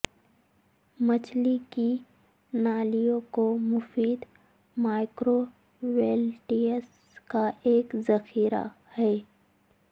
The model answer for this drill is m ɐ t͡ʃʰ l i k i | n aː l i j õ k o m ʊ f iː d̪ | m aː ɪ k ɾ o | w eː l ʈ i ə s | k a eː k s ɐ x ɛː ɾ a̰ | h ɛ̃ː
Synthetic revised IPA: m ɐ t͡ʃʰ l i k i | n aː l i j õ k o m ʊ f iː d̪ | m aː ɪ k ɾ o | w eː l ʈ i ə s | k a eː k z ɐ x iː ɾ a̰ | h ɛː